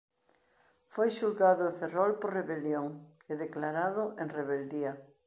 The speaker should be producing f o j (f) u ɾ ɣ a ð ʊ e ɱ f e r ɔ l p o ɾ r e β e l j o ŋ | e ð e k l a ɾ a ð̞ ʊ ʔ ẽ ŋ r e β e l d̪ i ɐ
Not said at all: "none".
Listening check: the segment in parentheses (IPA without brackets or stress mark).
ʃ